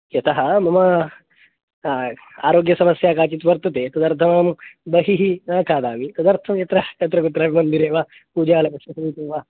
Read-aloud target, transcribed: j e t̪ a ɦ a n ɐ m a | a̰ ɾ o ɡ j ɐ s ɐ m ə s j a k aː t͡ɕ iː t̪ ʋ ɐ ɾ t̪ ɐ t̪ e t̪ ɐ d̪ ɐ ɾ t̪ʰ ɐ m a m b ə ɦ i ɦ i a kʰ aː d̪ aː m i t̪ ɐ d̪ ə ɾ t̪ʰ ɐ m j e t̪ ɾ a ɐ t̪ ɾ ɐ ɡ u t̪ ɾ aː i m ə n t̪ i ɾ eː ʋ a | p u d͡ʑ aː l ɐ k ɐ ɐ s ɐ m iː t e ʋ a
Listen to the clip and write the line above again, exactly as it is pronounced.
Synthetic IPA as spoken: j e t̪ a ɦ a m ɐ m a | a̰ ɾ o ɡ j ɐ s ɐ m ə s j a k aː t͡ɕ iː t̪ ʋ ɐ ɾ t̪ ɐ t̪ e t̪ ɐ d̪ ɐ ɾ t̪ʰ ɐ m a m b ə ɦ i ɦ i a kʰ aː d̪ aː m i t̪ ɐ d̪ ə ɾ t̪ʰ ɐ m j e t̪ ɾ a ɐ t̪ ɾ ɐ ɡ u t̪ ɾ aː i m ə n d̪ i ɾ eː ʋ a | p u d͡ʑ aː l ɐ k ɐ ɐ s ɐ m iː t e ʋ a